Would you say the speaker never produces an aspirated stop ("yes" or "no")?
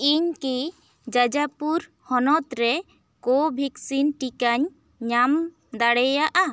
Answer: yes